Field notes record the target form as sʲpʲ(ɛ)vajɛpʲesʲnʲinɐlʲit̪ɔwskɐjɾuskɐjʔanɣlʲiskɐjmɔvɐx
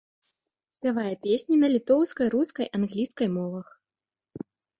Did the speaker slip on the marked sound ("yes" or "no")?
yes